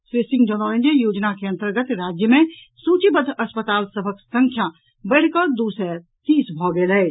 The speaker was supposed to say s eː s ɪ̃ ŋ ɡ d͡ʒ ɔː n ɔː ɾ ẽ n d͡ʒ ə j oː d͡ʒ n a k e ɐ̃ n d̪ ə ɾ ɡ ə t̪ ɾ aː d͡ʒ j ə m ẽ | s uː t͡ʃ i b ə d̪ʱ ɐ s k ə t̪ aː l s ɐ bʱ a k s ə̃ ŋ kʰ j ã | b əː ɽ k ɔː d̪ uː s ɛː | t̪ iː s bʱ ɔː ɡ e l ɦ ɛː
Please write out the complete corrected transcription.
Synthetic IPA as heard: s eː s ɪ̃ ŋ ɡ d͡ʒ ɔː n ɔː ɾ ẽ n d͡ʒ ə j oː d͡ʒ n a k e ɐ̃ n t̪ ə ɾ ɡ ə t̪ ɾ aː d͡ʒ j ə m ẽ | s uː t͡ʃ i b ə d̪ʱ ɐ s p ə t̪ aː l s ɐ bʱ ə k s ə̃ ŋ kʰ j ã | b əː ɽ k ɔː d̪ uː s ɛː | t̪ iː s bʱ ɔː ɡ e l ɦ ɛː

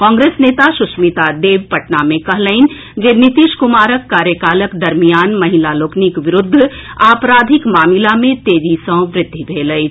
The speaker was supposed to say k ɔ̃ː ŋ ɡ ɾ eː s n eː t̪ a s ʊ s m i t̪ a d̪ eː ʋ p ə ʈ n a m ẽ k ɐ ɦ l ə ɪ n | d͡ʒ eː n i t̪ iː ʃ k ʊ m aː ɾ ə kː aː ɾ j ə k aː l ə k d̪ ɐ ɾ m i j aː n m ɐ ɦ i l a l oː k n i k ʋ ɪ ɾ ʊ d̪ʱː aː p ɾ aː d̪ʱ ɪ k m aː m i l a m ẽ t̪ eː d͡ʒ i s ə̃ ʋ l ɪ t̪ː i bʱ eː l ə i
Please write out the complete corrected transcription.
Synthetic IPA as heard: k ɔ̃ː ŋ ɡ ɾ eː s n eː t̪ a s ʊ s m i t̪ a d̪ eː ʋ p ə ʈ n a m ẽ k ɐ ɦ l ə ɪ n | d͡ʒ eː n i t̪ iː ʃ k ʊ m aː ɾ ə kː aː ɾ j ə k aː l ə k d̪ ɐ ɾ m i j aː n m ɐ ɦ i l a l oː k n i k ʋ ɪ ɾ ʊ d̪ʱː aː p ɾ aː d̪ʱ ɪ k m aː m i l a m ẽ t̪ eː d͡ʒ i s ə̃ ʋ ɾ ɪ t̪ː i bʱ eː l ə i

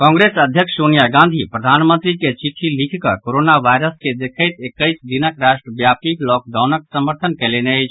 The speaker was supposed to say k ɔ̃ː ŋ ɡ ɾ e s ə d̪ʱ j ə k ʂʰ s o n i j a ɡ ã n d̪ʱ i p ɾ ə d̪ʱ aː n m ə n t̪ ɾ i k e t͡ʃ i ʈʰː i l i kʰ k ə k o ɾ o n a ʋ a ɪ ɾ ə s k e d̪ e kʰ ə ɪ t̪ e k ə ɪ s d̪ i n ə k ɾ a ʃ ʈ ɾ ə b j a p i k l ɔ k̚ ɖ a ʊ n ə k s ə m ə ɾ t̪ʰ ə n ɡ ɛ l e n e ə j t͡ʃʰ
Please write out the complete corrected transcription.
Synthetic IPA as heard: k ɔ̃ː ŋ ɡ ɾ e s ə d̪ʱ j ə k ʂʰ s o n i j a ɡ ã n d̪ʱ i p ɾ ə d̪ʱ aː n m ə n t̪ ɾ i k e t͡ʃ i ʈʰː i l i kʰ k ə k o ɾ o n a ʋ a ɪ ɾ ə s k e d̪ e kʰ ə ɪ t̪ e k ə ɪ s d̪ i n ə k ɾ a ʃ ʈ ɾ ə b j a p i k l ɔ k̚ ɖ a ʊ n ə k s ə m ə ɾ t̪ʰ ə n k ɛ l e n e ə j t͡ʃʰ

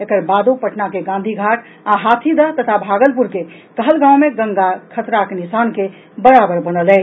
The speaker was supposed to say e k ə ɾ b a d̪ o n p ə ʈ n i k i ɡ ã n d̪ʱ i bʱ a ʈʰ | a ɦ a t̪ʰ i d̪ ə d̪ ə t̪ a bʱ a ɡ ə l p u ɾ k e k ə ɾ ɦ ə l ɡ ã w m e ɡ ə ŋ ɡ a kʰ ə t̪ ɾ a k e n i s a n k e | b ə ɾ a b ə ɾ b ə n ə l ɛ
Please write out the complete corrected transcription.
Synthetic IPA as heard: e k ə ɾ b a d̪ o p ə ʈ n a k e ɡ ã n d̪ʱ i ɡʱ a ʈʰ | a ɦ a t̪ʰ i d̪ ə t̪ ə t̪ʰ a bʱ a ɡ ə l p u ɾ k e k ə ɦ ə l ɡ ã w m e ɡ ə ŋ ɡ a kʰ ə t̪ ɾ a k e n i s a n k e | b ə ɾ a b ə ɾ b ə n ə l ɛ

